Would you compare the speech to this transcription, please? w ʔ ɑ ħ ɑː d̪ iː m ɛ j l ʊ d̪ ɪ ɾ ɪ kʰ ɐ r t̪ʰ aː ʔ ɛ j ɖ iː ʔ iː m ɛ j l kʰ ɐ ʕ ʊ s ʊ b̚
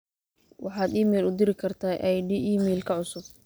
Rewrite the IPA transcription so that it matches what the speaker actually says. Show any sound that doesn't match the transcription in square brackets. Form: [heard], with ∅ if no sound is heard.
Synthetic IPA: w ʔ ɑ ħ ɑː d̪ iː m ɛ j l ʊ d̪ ɪ ɾ ɪ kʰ ɐ r t̪ʰ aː ʔ ɛ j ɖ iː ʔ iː m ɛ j l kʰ ɐ ʕ ʊ s ʊ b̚

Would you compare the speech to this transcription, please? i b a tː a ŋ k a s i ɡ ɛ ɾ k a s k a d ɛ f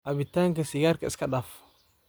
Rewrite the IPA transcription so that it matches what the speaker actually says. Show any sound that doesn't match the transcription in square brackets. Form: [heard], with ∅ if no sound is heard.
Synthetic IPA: [a] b [i] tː a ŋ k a s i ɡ [a] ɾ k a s k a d [a] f

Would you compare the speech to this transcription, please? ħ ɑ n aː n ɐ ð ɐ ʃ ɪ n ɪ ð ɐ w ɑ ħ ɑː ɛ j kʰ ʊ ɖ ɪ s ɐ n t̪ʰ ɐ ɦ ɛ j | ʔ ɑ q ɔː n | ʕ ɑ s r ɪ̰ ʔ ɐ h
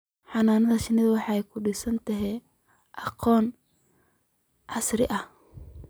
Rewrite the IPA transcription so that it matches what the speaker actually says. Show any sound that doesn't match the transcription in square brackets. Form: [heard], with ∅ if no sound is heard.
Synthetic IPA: ħ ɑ n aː n ɐ ð ɐ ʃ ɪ n ɪ ð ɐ w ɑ ħ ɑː ɛ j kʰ ʊ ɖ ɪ s ɐ n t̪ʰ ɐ ɦ ɛ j | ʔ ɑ q ɔː n | ʕ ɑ s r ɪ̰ ʔ ɐ h

